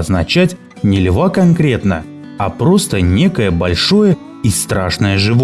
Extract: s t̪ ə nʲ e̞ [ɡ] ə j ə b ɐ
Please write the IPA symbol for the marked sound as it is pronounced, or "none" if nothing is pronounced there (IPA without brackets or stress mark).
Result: k